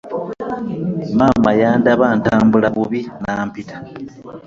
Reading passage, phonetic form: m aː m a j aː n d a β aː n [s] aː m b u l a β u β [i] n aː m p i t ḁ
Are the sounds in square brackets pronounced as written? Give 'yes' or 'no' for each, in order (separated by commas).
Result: no, yes